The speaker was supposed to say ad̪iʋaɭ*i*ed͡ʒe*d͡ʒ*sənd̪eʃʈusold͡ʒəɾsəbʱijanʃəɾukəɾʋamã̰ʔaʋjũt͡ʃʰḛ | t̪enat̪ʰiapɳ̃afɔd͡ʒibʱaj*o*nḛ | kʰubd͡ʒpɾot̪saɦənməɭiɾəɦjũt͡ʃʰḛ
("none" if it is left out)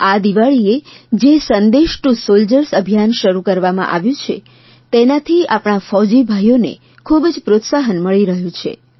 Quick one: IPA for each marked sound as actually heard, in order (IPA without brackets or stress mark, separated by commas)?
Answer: i, none, o